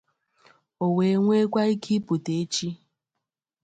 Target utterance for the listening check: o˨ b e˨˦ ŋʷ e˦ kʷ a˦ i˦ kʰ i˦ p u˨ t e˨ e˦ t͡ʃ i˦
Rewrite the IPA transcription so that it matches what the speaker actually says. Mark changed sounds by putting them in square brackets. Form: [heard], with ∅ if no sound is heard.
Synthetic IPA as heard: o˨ [w] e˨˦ ŋʷ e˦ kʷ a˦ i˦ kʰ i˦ p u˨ t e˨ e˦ t͡ʃ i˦

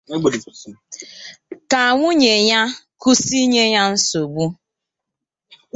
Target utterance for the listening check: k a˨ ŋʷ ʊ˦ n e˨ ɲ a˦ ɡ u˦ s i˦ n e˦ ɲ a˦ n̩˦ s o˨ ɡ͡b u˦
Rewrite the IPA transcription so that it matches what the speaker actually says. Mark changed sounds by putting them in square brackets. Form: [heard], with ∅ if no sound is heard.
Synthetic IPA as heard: k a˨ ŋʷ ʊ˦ [ɲ] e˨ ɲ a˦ [k] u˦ s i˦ [ɲ] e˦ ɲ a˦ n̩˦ s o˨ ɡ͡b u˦

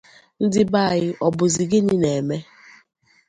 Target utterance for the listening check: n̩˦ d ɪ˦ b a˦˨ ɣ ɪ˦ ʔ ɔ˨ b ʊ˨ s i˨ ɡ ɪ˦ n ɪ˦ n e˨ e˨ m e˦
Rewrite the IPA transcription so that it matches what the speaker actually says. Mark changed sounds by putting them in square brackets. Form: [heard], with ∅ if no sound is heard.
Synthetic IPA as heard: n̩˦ d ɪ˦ b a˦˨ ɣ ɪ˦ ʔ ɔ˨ b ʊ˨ [z] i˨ ɡ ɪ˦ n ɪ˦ n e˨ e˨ m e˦

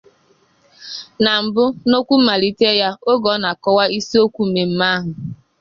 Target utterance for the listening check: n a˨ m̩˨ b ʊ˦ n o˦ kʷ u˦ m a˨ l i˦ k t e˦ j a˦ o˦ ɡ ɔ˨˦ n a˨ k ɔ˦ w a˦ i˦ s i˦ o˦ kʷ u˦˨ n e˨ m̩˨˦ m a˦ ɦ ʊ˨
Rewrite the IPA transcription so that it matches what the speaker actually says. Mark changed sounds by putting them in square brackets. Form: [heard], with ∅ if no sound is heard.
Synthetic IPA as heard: n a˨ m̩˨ b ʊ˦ n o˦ kʷ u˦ m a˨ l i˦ [∅] t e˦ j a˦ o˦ ɡ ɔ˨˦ n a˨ k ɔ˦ w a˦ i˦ s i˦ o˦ kʷ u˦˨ [m] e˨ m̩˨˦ m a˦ ɦ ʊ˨

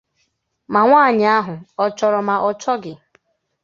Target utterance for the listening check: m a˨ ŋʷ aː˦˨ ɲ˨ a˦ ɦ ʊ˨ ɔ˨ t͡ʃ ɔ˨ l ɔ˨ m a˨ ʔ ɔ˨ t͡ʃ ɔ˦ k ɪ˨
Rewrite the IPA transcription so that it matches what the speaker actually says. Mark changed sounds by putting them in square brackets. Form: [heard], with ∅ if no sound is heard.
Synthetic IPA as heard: m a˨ ŋʷ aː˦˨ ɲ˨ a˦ ɦ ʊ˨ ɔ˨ t͡ʃ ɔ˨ [ɾ] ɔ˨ m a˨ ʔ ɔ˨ t͡ʃ ɔ˦ [ɡ] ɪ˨

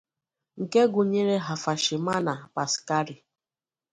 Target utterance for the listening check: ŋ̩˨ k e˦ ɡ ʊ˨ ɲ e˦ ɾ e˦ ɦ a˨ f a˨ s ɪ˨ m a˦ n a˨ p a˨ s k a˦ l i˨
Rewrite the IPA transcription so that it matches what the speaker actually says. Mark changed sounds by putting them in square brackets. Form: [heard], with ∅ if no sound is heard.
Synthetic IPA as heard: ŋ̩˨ k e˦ ɡ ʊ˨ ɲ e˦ ɾ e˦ ɦ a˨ f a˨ [ʃ] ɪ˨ m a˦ n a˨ p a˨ s k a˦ [ɾ] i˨

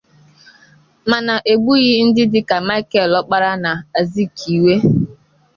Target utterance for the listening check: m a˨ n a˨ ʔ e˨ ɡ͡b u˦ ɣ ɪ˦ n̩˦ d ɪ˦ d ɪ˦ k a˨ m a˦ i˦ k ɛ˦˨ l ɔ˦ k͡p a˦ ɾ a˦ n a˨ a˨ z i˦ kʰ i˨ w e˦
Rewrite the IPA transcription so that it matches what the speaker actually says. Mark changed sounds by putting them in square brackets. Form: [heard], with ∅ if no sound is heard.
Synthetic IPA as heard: m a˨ n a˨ ʔ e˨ ɡ͡b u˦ ɣ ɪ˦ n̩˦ d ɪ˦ d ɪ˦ k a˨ m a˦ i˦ k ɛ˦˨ l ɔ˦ k͡p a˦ ɾ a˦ n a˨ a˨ z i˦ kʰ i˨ w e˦

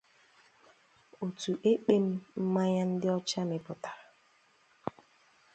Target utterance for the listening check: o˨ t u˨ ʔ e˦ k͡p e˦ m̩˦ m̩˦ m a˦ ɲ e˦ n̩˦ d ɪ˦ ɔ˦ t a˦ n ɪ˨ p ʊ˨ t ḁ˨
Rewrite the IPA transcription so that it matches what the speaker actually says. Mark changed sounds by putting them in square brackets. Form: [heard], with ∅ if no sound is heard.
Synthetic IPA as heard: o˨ t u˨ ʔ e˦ k͡p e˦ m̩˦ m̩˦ m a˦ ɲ [a˦] n̩˦ d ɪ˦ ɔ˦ [t͡ʃ] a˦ n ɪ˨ p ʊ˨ t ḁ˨

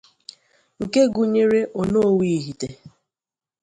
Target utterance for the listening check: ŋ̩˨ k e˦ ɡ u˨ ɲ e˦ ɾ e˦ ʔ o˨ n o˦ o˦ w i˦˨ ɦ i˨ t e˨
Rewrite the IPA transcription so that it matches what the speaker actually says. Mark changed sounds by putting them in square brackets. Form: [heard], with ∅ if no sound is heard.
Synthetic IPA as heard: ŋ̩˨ k e˦ ɡ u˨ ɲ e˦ ɾ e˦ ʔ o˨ n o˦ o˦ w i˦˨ ɦ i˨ t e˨

